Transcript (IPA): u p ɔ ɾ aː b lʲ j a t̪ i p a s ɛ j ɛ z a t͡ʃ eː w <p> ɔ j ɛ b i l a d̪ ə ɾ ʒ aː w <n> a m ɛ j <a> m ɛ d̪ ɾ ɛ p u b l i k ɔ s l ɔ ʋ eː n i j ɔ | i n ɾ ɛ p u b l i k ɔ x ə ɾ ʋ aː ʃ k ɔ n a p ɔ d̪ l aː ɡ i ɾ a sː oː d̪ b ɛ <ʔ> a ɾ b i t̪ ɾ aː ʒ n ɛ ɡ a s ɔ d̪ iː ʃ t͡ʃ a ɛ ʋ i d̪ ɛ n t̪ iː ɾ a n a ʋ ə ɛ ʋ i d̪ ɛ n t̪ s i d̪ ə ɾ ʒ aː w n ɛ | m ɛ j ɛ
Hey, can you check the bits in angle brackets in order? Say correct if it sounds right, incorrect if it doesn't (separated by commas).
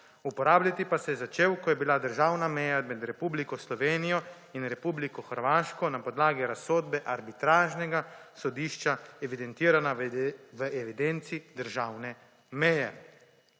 incorrect, correct, correct, correct